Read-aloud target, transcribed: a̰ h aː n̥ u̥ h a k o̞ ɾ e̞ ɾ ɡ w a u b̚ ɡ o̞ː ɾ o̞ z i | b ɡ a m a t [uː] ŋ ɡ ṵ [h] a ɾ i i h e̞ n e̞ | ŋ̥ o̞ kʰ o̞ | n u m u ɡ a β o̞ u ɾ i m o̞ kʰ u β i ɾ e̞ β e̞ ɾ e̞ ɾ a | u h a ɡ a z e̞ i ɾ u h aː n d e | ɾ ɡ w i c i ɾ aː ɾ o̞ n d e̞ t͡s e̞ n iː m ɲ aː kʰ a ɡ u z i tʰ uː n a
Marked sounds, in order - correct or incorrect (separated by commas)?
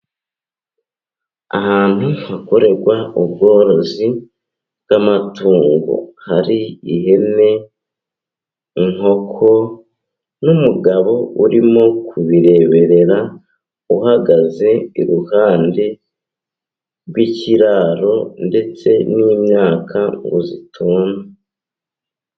correct, correct